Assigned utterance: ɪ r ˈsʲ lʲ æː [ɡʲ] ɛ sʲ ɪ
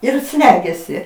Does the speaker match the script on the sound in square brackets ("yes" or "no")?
yes